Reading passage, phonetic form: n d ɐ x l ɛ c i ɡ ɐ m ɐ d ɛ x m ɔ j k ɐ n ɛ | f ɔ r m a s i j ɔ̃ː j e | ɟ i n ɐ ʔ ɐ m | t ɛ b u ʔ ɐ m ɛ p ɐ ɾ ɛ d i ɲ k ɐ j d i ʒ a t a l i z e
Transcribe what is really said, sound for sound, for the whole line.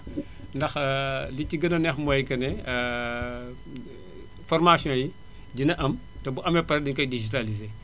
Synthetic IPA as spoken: n d ɐ x l i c i ɡ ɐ n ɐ n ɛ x m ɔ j k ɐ n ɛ | f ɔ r m a s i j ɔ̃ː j i | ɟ i n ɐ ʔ ɐ m | t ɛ b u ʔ ɐ m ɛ p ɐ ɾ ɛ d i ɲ k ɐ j d i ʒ i t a l i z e